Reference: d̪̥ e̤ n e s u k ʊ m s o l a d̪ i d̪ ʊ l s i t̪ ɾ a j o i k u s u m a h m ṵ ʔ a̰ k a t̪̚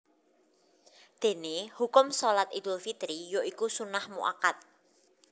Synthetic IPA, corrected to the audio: d̪̥ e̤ n e h u k ʊ m s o l a t̪ i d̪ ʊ l f i t̪ ɾ i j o i k u s u n a h m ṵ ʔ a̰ k a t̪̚